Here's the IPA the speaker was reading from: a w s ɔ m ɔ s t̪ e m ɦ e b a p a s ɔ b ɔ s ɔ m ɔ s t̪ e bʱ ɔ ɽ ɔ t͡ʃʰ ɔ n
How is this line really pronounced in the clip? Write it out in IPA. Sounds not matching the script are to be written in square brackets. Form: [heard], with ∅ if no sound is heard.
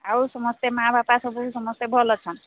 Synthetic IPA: a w s ɔ m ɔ s t̪ e m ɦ [a] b a p a s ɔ b [u] s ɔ m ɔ s t̪ e bʱ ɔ [l] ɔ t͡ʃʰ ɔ n